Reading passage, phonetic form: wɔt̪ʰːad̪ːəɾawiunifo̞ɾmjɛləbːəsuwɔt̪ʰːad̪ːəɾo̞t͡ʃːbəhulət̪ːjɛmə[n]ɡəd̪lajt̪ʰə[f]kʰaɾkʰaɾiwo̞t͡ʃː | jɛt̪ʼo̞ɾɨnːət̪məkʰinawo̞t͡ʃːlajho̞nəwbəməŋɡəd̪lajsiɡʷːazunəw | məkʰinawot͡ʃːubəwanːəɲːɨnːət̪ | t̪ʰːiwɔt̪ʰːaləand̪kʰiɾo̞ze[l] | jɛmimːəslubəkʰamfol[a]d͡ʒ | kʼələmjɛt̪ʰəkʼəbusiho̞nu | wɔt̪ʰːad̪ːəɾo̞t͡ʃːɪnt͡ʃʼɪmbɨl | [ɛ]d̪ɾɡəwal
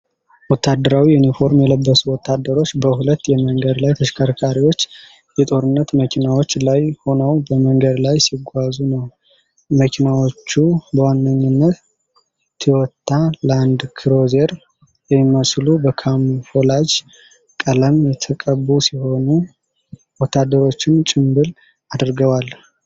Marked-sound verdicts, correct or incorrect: incorrect: ŋ, incorrect: ʃ, incorrect: ɾ, correct, incorrect: a

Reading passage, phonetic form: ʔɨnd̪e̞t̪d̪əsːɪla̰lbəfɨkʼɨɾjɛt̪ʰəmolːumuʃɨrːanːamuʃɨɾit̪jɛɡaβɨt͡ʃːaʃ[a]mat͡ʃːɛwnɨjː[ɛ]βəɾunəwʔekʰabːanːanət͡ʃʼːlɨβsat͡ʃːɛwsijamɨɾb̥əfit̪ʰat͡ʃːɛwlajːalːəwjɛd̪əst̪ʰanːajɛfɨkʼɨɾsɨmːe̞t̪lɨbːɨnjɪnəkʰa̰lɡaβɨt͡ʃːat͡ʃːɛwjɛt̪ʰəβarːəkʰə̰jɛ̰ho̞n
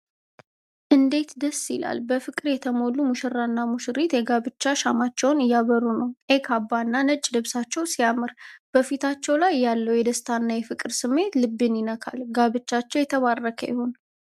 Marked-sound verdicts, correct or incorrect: correct, incorrect: a

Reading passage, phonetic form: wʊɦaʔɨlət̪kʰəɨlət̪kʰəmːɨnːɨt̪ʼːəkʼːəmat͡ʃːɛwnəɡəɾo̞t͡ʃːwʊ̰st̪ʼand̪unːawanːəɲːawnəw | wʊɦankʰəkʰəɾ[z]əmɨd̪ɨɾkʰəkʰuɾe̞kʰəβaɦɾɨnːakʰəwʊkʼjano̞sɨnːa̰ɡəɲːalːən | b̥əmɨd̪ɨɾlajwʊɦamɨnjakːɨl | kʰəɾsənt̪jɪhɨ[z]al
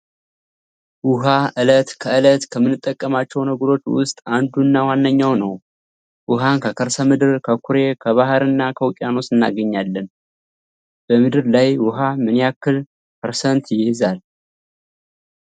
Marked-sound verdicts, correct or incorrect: incorrect: s, correct

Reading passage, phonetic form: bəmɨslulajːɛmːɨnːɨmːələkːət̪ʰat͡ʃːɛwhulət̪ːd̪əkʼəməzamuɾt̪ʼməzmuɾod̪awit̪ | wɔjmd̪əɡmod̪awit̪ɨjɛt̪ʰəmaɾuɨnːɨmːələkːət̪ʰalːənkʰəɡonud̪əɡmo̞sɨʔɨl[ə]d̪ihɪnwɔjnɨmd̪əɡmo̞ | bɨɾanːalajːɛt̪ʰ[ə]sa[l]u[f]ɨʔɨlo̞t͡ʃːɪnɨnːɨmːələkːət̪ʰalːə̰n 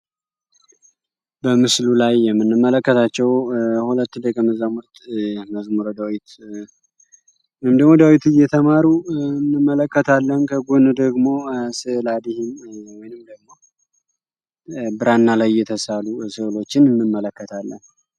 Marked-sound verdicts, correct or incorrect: incorrect: a, correct, correct, incorrect: s

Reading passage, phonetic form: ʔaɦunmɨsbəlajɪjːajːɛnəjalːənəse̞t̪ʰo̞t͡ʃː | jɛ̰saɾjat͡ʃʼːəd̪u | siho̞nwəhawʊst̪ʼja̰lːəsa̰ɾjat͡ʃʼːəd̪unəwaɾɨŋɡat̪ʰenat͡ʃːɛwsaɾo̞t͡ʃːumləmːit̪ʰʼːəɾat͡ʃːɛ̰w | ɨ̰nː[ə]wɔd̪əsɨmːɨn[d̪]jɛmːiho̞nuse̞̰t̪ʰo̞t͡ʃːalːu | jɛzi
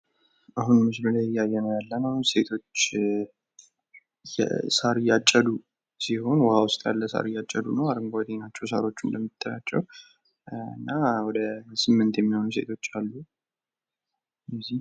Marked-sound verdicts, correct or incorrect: incorrect: a, incorrect: t̪

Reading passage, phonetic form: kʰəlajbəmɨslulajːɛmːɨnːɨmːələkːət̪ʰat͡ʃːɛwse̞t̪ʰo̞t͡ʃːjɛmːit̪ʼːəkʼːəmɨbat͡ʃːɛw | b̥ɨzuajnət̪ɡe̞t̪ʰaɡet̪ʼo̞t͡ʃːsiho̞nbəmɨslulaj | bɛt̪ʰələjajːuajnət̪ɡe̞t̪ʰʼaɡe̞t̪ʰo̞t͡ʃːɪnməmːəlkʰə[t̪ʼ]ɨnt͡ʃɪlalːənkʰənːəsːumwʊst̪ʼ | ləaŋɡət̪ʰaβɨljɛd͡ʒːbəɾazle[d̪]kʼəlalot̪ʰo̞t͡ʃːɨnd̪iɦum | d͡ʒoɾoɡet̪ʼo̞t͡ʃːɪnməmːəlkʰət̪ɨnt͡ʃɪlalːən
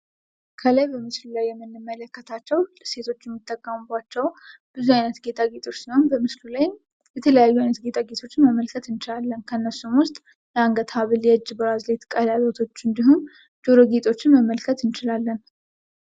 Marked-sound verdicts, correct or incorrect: incorrect: t̪, incorrect: t̪

